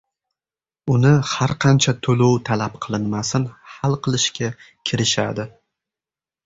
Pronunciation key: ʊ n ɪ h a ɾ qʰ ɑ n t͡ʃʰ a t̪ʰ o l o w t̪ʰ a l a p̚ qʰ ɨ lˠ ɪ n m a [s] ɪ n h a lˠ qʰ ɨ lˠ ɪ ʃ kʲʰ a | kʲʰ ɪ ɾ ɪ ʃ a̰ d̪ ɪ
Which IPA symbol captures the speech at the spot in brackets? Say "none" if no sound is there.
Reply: s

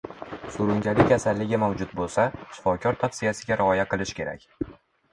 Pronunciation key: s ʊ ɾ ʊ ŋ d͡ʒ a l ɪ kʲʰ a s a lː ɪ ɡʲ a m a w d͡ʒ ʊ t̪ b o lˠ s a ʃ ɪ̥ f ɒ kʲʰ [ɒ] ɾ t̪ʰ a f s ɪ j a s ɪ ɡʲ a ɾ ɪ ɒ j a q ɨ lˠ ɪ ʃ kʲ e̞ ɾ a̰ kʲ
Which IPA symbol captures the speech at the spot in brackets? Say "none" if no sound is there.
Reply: ɒ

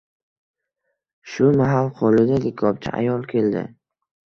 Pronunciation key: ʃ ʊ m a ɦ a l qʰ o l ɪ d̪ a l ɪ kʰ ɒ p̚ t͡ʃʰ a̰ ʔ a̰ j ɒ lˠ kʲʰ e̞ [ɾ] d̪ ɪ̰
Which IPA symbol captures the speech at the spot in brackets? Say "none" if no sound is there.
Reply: l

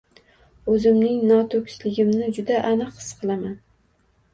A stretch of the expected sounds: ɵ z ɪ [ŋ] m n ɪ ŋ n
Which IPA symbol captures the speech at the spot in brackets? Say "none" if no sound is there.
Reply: none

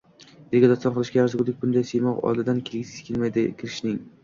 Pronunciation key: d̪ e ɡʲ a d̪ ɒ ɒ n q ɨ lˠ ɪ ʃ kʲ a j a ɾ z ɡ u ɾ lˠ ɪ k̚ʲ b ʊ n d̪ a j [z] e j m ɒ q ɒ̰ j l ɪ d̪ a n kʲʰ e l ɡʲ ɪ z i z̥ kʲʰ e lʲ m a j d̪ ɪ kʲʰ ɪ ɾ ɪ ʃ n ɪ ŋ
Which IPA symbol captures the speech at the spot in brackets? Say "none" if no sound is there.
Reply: s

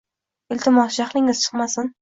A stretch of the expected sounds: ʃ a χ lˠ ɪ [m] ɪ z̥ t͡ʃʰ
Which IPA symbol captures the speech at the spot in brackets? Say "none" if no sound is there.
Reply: ŋ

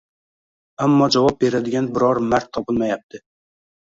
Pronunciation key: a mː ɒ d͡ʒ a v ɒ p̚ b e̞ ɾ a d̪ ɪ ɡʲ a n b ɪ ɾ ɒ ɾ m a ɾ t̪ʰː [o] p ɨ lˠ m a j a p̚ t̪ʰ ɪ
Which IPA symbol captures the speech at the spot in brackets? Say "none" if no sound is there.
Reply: ɒ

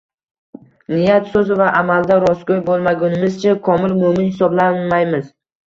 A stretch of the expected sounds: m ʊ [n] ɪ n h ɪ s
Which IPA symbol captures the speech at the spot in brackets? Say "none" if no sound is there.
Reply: m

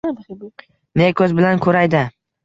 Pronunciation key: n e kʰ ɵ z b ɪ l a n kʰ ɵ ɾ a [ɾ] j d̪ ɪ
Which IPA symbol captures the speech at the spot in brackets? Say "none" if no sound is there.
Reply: none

